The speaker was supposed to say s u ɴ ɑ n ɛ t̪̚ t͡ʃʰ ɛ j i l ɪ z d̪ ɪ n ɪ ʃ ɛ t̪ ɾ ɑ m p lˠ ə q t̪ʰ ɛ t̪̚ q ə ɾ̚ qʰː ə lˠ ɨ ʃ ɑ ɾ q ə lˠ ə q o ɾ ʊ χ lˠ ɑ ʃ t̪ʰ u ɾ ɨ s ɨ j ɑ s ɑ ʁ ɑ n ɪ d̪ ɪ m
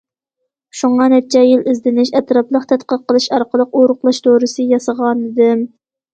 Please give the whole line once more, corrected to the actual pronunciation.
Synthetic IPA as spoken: ʃ u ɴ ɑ n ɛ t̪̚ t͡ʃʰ ɛ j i l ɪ z d̪ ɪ n ɪ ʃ ɛ t̪ ɾ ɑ p lˠ ə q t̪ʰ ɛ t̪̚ q ə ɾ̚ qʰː ə lˠ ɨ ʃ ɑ ɾ q ə lˠ ə q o ɾ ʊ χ lˠ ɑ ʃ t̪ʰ o ɾ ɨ s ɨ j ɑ s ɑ ʁ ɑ n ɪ d̪ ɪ m